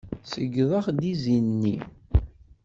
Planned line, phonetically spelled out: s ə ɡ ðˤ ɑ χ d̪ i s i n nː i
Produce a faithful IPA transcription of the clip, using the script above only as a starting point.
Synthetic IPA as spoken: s ə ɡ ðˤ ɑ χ d̪ i z i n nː i

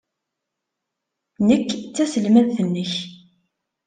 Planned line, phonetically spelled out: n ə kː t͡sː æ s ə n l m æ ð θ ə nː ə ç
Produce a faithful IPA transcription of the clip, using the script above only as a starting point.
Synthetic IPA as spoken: n ə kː t͡sː æ s ə l m æ ð θ ə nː ə ç

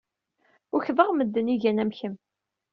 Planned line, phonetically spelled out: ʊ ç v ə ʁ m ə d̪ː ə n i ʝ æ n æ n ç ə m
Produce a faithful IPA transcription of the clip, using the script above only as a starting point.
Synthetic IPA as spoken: ʊ ç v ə ʁ m ə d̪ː ə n i ʝ æ n æ m ç ə m

